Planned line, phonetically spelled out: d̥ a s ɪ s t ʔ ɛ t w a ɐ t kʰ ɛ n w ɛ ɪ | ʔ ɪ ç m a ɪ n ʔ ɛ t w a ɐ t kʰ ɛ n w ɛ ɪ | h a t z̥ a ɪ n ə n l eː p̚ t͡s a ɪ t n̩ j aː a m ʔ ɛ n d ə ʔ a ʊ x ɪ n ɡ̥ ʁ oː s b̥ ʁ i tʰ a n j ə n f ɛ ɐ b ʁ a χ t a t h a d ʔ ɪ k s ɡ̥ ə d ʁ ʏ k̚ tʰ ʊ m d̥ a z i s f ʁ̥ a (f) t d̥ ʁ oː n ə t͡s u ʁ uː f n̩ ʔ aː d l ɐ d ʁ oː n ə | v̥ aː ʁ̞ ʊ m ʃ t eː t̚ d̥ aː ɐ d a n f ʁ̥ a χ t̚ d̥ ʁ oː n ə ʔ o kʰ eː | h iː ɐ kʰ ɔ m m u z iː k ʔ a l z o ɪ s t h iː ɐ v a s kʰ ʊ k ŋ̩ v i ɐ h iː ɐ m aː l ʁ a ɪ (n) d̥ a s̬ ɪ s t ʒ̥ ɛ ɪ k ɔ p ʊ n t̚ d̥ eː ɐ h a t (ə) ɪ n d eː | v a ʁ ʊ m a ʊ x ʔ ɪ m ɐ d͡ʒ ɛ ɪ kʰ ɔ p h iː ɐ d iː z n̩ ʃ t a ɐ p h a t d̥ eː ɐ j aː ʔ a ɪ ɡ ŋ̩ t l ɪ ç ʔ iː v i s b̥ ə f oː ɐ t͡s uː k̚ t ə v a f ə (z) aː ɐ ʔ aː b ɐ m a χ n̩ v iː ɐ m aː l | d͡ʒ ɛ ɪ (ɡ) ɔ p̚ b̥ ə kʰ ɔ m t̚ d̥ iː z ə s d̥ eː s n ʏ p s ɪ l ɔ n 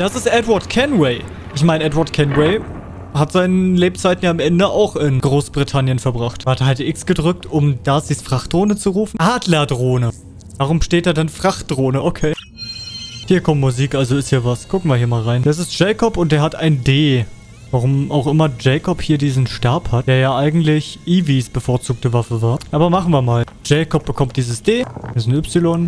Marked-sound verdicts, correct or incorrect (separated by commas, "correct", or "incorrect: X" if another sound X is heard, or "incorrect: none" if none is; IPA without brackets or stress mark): incorrect: χ, correct, incorrect: a, incorrect: v, incorrect: k